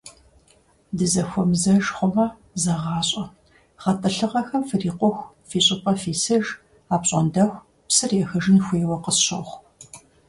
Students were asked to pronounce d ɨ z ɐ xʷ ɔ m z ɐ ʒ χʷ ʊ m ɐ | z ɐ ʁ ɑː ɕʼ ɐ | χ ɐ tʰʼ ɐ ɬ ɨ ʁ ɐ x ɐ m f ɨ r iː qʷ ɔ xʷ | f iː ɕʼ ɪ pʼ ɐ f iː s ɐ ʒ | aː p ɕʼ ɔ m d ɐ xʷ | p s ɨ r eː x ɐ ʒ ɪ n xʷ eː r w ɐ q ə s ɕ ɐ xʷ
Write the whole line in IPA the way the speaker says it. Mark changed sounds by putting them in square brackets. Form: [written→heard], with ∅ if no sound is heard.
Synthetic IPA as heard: d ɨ z ɐ xʷ ɔ m z ɐ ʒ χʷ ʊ m ɐ | z ɐ ʁ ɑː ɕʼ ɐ | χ ɐ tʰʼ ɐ ɬ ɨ ʁ ɐ x ɐ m f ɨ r iː qʷ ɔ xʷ | f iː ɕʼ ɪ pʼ ɐ f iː s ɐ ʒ | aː p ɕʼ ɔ [m→n] d ɐ xʷ | p s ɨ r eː x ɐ ʒ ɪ n xʷ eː [r→∅] w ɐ q ə s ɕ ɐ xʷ